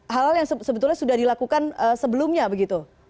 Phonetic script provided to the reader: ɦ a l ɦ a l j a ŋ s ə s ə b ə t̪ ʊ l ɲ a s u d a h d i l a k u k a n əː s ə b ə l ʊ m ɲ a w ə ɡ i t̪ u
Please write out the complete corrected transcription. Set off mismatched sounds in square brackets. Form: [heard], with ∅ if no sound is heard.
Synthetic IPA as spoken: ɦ a l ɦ a l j a ŋ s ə s ə b ə t̪ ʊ l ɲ a s u d a h d i l a k u k a n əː s ə b ə l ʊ m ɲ a [b] ə ɡ i t̪ u

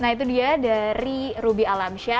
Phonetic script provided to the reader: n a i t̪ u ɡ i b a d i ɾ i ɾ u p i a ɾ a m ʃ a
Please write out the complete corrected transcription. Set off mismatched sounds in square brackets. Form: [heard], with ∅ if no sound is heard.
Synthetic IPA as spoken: n a i t̪ u [d] i [∅] a d [a] ɾ i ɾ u [b] i a [l] a m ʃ a

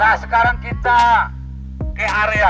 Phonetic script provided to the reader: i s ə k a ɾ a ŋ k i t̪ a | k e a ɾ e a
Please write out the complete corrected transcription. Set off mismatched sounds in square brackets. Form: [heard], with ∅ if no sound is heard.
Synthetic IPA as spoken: [a] s ə k a ɾ a ŋ k i t̪ a | k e a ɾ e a

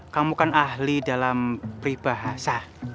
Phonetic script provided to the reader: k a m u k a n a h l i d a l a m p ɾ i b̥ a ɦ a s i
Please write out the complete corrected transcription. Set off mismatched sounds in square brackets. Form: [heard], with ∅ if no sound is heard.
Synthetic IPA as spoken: k a m u k a n a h l i d a l a m p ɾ i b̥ a ɦ a s [a]

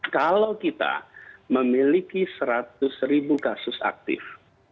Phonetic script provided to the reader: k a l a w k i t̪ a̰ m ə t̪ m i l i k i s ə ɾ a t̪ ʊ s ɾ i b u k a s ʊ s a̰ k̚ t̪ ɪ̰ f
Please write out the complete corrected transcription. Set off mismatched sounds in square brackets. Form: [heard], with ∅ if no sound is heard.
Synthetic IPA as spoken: k a l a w k i t̪ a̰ m ə [∅] m i l i k i s ə ɾ a t̪ ʊ s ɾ i b u k a s ʊ s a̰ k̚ t̪ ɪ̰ f

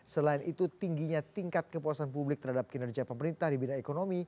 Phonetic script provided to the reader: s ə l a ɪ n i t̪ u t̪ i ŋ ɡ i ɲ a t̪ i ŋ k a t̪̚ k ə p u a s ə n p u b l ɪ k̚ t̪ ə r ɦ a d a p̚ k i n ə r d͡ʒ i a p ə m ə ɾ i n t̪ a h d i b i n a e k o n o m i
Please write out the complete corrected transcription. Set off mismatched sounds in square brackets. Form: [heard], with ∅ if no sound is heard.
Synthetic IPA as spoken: s ə l a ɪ n i t̪ u t̪ i ŋ ɡ i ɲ a t̪ i ŋ k a t̪̚ k ə p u a s [a] n p u b l ɪ k̚ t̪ ə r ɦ a d a p̚ k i n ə r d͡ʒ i a p ə m ə ɾ i n t̪ a h d i b i n a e k o n o m i

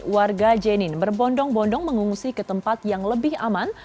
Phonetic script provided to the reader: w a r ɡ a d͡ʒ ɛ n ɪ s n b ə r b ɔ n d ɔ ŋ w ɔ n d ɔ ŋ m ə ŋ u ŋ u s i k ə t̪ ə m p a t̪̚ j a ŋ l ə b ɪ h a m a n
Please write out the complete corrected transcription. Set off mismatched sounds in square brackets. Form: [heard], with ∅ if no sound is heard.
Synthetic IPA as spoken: w a r ɡ a d͡ʒ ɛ n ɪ [∅] n b ə r b ɔ n d ɔ ŋ [b] ɔ n d ɔ ŋ m ə ŋ u ŋ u s i k ə t̪ ə m p a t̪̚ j a ŋ l ə b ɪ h a m a n

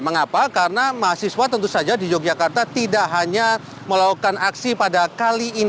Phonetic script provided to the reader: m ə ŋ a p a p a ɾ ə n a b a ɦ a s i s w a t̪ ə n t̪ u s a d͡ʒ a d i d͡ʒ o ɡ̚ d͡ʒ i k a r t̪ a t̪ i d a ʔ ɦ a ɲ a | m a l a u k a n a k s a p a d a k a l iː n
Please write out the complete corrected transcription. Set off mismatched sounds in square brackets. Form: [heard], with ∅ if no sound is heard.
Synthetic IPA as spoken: m ə ŋ a p a [k] a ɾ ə n a [m] a ɦ a s i s w a t̪ ə n t̪ u s a d͡ʒ a d i d͡ʒ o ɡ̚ d͡ʒ [a] k a r t̪ a t̪ i d a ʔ ɦ a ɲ a | m [ə] l a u k a n a k s [i] p a d a k a l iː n

